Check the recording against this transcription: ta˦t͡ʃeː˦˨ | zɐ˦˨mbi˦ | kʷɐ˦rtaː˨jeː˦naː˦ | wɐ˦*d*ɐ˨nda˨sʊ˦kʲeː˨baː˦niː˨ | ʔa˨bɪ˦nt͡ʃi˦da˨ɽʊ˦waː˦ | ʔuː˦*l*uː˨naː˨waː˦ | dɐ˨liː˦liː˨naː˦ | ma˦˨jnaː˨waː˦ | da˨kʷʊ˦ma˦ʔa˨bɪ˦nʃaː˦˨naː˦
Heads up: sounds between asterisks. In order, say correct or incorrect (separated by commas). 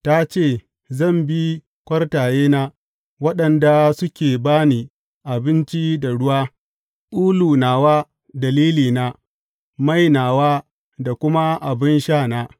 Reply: incorrect, correct